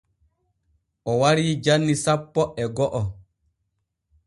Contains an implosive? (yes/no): no